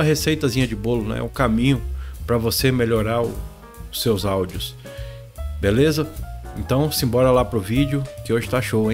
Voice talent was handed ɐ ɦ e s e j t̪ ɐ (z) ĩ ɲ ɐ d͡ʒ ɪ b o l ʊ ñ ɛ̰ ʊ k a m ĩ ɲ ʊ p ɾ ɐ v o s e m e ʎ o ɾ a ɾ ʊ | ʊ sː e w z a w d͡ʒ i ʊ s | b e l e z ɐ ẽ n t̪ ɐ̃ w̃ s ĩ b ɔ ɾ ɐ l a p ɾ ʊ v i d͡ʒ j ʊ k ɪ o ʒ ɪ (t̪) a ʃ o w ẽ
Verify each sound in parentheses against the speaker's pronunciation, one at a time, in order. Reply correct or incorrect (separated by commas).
correct, correct